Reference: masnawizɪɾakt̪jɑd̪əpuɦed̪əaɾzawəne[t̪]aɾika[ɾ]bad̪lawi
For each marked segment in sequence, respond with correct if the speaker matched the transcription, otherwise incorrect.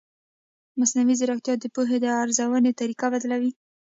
correct, incorrect

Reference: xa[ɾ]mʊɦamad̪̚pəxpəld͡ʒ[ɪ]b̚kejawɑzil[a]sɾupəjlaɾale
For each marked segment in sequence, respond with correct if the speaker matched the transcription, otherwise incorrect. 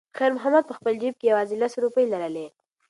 correct, incorrect, correct

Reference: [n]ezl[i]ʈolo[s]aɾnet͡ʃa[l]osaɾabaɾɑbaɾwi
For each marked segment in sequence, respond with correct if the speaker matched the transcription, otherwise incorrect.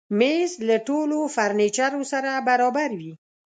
incorrect, incorrect, incorrect, incorrect

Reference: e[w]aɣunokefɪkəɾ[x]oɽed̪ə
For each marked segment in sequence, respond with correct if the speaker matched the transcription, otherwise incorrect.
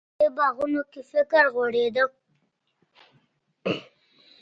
incorrect, incorrect

